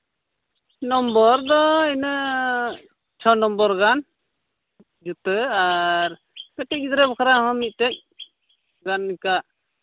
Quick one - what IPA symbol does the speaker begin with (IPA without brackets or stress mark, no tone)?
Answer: n